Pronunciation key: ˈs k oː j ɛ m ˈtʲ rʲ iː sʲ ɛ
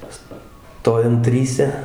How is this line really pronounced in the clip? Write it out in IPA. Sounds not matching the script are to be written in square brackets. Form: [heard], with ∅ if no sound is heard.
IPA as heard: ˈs [t] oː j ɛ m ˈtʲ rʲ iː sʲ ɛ